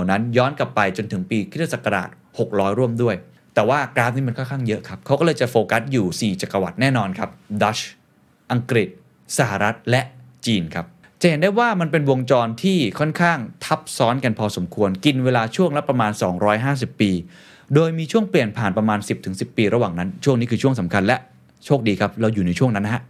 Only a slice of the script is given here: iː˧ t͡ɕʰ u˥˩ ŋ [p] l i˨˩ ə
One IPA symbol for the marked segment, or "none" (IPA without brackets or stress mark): p